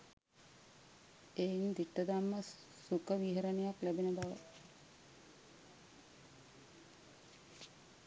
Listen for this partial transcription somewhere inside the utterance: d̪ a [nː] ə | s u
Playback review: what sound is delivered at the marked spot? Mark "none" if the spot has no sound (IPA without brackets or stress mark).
mː